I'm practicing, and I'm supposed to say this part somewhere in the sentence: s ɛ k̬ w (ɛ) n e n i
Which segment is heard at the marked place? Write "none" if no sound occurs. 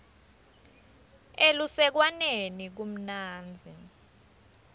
a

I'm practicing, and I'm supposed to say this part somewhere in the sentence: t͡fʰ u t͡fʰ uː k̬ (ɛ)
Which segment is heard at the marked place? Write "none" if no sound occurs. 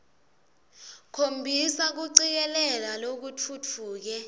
ɛ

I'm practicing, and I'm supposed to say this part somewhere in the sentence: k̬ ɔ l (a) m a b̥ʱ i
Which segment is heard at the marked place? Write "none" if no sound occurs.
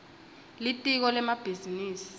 ɛ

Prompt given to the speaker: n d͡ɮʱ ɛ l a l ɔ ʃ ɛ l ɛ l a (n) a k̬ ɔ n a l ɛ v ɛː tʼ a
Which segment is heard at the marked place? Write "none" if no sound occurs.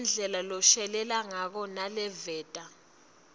ŋ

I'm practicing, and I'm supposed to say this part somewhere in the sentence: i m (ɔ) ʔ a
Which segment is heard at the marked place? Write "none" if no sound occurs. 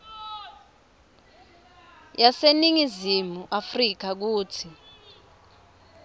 u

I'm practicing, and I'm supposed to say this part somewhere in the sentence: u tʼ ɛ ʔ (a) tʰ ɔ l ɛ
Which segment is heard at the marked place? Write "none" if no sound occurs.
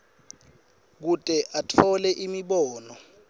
a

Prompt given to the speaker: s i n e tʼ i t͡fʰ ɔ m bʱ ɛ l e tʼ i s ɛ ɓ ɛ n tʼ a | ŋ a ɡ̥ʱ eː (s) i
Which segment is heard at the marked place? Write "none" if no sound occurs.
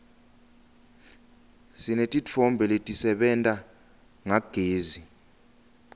z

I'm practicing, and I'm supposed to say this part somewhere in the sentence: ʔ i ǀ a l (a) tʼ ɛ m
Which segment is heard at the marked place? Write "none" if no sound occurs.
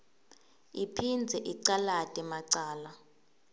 a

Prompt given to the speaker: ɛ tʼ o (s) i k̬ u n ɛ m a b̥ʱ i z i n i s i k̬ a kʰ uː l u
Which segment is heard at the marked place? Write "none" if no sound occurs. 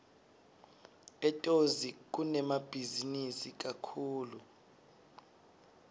z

